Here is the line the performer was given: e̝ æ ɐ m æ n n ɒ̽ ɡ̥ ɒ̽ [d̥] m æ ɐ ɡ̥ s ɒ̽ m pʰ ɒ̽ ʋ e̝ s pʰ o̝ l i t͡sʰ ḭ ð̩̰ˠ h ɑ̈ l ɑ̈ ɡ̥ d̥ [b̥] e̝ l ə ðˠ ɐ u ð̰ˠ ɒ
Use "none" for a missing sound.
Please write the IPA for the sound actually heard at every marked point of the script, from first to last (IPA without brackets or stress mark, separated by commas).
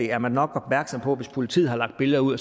b̥, b̥